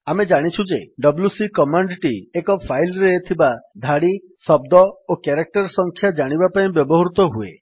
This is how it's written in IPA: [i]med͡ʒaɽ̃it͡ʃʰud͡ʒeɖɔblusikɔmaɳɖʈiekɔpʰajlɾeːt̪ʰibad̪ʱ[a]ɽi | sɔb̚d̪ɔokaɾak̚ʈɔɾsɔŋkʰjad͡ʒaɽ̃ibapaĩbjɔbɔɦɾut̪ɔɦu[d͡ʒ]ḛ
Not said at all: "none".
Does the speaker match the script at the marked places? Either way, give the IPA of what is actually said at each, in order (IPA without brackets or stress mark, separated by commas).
a, a, none